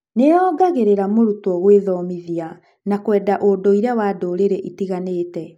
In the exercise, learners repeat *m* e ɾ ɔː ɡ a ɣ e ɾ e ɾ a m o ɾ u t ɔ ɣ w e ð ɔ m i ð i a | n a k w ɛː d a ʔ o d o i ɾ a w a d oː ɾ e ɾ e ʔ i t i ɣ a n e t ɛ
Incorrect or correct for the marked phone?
incorrect: n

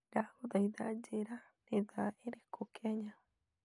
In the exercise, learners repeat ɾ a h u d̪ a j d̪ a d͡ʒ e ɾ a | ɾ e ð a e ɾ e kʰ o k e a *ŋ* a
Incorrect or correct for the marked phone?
incorrect: ɲ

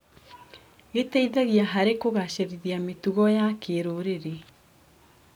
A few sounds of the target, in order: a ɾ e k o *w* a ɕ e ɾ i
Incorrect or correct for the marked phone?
incorrect: ɣ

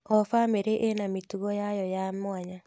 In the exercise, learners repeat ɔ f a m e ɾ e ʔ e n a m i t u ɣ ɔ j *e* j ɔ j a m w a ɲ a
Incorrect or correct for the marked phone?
incorrect: a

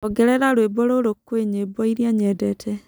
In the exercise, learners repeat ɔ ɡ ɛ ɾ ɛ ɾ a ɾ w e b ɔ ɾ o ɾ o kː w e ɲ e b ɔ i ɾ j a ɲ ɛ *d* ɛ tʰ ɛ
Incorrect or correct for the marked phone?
correct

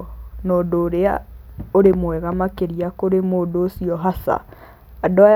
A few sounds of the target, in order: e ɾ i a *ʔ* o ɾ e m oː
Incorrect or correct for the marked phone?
incorrect: k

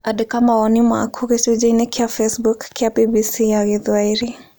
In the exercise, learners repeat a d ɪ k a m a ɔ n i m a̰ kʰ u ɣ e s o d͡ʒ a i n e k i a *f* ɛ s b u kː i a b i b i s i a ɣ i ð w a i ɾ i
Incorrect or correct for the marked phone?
correct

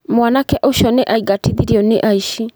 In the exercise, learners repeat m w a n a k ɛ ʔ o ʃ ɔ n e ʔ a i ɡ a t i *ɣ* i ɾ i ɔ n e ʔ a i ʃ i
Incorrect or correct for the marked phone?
incorrect: ð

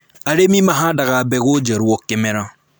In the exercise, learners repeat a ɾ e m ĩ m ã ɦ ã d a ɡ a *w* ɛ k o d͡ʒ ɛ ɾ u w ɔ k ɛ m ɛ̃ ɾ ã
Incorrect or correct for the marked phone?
incorrect: b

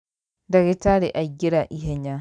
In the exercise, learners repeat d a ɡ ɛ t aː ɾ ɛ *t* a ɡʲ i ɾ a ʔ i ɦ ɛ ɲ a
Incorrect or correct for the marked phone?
incorrect: ʔ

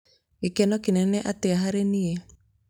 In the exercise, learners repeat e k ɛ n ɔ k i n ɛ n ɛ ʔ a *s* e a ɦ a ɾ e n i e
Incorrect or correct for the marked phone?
incorrect: t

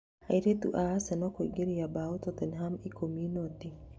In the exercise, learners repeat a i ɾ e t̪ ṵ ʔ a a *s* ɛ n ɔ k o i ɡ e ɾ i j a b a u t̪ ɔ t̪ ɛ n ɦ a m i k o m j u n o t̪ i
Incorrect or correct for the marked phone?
correct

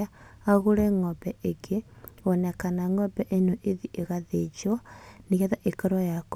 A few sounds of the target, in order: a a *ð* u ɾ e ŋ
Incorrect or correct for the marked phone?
incorrect: ɣ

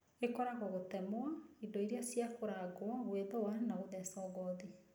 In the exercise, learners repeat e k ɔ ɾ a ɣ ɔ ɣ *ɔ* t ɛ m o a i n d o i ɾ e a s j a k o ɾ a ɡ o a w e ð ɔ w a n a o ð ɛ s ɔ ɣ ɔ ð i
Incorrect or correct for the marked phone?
incorrect: o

